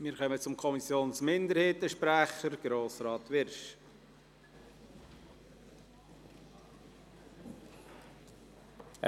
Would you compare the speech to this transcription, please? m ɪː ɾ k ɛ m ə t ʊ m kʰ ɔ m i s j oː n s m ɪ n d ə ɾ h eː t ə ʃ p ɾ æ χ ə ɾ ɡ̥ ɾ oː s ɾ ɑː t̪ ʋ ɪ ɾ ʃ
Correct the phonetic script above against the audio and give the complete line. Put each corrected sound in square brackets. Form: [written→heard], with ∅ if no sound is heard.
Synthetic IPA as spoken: m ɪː ɾ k [ɛ→œ] m ə [t→t͡s] ʊ m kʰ ɔ m i s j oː n s m ɪ n d ə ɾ h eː t ə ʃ p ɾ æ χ ə ɾ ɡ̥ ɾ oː s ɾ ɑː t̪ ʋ ɪ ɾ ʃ